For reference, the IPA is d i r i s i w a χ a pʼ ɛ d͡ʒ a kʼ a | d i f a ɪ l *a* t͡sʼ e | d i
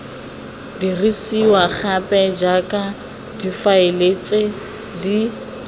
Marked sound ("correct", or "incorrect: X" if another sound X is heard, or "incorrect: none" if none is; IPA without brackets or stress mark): incorrect: e